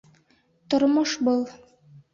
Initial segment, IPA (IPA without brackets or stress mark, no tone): t̪